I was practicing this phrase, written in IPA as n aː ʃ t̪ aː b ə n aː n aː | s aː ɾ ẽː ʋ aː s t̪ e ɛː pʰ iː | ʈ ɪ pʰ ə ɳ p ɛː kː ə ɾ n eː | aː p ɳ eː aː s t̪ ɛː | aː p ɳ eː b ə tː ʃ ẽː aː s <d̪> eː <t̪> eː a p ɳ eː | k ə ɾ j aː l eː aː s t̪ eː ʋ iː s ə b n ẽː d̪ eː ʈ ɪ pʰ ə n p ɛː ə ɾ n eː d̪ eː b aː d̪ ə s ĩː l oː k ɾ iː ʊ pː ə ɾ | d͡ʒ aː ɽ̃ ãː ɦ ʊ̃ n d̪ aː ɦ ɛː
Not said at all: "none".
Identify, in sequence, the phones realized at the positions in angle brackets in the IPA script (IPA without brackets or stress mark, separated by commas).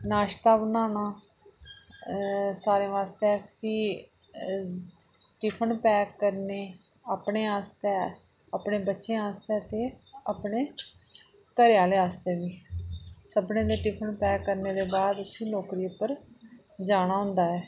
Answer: t̪, t̪